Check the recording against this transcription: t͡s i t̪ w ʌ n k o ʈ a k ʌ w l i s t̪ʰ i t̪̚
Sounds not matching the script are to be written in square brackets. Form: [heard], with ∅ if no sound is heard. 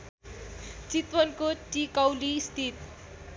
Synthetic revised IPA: t͡s i t̪ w ʌ n k o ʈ [i] k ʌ w l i s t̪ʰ i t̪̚